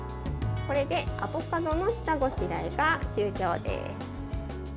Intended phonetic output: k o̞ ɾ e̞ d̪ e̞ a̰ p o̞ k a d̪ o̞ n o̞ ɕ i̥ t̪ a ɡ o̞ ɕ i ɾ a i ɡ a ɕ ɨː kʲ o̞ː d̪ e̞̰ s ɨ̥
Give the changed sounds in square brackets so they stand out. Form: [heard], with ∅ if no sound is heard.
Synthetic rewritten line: k o̞ ɾ e̞ d̪ e̞ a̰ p o̞ k a d̪ o̞ n o̞ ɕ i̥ t̪ a ɡ o̞ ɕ i ɾ a i ɡ a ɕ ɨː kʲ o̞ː d̪ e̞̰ s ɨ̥

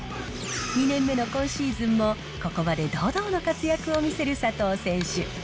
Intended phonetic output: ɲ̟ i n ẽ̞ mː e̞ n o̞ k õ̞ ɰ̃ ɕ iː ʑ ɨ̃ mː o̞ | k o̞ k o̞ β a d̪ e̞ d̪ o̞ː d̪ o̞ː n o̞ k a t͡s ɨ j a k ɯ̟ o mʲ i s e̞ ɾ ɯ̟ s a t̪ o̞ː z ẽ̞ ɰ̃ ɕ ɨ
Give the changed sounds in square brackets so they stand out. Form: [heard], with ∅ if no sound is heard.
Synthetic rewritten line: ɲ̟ i n ẽ̞ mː e̞ n o̞ k õ̞ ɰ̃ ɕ iː [z] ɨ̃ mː o̞ | k o̞ k o̞ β a d̪ e̞ d̪ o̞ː d̪ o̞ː n o̞ k a t͡s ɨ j a k ɯ̟ o mʲ i s e̞ ɾ ɯ̟ s a t̪ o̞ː [s] ẽ̞ ɰ̃ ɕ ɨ

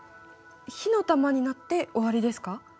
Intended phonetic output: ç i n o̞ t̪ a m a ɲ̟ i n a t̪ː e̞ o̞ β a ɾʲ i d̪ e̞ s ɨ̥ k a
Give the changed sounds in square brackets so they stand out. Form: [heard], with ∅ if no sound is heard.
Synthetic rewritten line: ç i n o̞ t̪ a m a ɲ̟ i n a t̪ː e̞ o̞ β a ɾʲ i d̪ e̞ s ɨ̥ k a

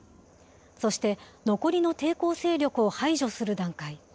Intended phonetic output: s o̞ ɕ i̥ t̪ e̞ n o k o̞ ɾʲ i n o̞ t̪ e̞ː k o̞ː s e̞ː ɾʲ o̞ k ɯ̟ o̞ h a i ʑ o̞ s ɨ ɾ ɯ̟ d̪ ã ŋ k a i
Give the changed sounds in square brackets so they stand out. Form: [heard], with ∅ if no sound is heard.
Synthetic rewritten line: s o̞ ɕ i̥ t̪ e̞ n o k o̞ ɾʲ i n o̞ t̪ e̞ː k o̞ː s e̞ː ɾʲ o̞ k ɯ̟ o̞ h a i ʑ o̞ s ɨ ɾ ɯ̟ d̪ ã ŋ k a i

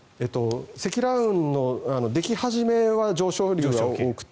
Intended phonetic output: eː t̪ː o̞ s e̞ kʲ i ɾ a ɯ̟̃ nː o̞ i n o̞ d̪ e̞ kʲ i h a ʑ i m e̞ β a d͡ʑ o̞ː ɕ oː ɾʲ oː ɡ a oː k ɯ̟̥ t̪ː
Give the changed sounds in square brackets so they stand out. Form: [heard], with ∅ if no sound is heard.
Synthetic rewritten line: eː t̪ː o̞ s e̞ kʲ i ɾ a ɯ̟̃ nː o̞ [a] n o̞ d̪ e̞ kʲ i h a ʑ i m e̞ β a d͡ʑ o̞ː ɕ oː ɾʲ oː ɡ a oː k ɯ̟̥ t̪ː

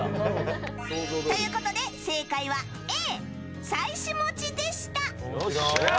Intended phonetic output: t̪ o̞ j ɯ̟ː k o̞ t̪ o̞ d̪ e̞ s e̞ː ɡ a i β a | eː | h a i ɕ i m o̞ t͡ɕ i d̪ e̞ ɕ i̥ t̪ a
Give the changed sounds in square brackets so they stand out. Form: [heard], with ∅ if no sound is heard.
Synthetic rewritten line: t̪ o̞ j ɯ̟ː k o̞ t̪ o̞ d̪ e̞ s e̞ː [k] a i β a | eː | [s] a i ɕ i m o̞ t͡ɕ i d̪ e̞ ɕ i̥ t̪ a

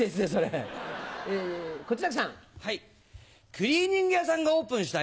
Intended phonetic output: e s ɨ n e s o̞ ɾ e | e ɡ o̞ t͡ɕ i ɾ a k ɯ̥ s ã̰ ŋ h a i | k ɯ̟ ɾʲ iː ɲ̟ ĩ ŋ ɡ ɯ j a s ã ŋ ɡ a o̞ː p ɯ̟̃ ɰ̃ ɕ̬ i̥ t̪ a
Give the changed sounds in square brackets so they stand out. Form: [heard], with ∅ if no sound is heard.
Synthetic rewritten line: e s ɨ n e s o̞ ɾ e | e [k] o̞ t͡ɕ i ɾ a k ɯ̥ s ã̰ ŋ h a i | k ɯ̟ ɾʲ iː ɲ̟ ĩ ŋ ɡ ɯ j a s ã ŋ ɡ a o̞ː p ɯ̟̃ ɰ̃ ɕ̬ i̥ t̪ a

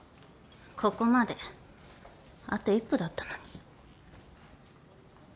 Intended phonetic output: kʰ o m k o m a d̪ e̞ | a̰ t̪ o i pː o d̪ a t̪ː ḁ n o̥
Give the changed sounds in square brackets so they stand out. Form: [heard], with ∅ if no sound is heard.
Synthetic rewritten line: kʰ o [∅] k o m a d̪ e̞ | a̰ t̪ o i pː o d̪ a t̪ː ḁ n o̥

